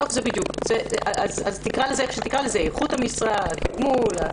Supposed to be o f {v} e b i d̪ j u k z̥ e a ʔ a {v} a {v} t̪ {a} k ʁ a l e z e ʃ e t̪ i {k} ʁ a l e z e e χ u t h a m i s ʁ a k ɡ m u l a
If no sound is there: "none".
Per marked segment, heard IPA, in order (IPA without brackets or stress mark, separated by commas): z, z, z, i, k